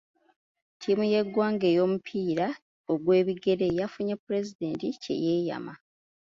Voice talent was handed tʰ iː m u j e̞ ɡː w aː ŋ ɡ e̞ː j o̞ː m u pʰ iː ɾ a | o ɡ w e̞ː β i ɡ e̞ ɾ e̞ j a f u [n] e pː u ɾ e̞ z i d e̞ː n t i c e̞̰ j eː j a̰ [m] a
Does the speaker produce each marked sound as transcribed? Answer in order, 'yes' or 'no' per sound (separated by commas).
no, yes